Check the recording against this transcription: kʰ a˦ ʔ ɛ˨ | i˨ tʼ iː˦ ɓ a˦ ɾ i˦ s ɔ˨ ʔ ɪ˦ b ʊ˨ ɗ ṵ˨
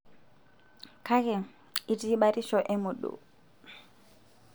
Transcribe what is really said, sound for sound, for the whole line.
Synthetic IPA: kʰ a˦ k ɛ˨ | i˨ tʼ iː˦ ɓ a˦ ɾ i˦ ʃ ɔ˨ ʔ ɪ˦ m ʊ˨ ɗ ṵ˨